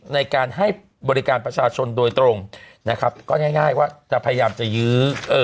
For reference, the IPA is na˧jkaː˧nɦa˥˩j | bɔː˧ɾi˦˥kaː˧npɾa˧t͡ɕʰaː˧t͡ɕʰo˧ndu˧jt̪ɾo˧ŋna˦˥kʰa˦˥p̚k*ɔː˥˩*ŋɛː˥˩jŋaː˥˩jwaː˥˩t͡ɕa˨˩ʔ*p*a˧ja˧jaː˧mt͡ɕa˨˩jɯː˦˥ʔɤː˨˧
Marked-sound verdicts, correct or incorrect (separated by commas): correct, incorrect